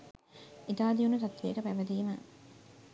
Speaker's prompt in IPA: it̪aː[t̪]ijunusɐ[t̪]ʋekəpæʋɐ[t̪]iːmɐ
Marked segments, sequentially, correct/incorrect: incorrect, correct, incorrect

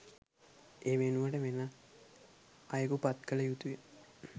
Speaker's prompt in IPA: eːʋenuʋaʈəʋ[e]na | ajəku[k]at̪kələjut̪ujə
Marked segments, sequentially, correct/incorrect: correct, incorrect

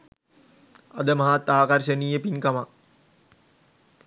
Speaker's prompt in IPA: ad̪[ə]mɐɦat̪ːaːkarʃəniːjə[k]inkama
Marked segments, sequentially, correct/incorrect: correct, incorrect

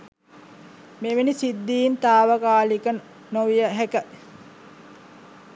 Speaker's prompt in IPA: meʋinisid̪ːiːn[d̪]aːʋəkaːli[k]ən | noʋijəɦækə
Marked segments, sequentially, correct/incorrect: incorrect, correct

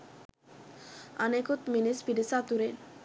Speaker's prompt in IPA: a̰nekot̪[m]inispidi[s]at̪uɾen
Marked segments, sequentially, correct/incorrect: correct, correct

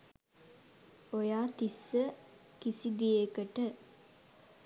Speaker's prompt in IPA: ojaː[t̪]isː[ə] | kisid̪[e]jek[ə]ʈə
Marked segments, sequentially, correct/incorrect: correct, correct, incorrect, correct

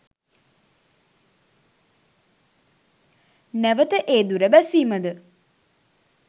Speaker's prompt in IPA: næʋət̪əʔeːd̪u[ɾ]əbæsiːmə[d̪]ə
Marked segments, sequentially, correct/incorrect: correct, correct

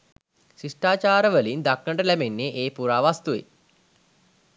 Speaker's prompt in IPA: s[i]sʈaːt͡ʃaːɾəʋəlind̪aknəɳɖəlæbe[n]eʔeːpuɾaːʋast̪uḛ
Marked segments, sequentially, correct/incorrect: correct, incorrect

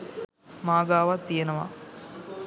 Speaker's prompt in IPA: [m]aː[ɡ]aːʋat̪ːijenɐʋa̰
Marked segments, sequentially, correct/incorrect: correct, correct

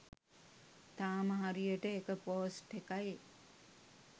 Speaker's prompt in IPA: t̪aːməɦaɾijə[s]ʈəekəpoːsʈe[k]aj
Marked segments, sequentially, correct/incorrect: incorrect, correct

